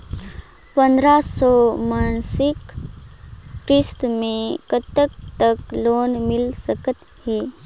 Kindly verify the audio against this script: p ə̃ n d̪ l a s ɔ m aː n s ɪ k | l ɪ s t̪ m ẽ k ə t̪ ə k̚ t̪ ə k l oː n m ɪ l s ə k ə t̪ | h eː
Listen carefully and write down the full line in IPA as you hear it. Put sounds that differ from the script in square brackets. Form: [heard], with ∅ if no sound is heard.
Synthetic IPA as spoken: p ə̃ n d̪ [ɾ] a s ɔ m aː n s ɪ k | [ɾ] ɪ s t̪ m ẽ k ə t̪ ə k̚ t̪ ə k l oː n m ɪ l s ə k ə t̪ | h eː